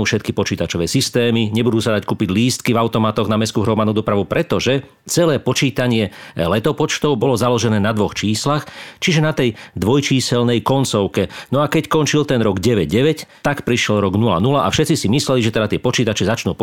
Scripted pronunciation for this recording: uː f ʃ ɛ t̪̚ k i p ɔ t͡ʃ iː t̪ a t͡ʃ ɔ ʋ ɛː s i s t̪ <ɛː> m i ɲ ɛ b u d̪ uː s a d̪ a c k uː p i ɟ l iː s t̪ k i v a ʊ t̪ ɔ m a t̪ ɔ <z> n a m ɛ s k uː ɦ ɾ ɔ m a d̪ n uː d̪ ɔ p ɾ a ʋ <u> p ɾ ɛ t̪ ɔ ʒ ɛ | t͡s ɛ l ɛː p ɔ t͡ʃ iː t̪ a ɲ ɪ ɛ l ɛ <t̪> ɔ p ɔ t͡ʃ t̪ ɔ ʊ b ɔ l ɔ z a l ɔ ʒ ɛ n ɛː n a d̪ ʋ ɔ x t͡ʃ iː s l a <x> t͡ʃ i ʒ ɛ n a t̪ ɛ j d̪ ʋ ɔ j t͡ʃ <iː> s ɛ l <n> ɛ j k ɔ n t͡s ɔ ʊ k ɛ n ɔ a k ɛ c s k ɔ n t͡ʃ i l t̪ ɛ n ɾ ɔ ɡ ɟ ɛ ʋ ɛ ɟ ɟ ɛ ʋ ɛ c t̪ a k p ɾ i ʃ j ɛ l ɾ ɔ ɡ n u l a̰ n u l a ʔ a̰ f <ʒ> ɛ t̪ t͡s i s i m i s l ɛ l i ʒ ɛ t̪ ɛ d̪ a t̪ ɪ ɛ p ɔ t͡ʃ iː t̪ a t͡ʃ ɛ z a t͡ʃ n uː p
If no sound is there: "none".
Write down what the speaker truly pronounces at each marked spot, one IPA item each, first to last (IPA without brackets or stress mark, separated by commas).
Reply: ɛː, ɣ, u, t̪, x, iː, n, ʃ